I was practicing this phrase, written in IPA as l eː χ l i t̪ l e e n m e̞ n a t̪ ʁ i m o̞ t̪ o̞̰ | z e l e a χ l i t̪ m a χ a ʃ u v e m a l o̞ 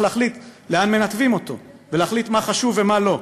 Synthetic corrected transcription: l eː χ l i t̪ l e a n m e̞ n a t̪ v i m o̞ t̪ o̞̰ | v e l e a χ l i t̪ m a χ a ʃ u v e m a l o̞